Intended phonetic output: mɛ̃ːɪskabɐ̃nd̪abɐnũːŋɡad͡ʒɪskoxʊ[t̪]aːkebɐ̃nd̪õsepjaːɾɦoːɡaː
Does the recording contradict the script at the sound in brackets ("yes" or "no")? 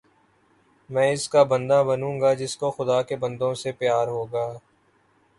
yes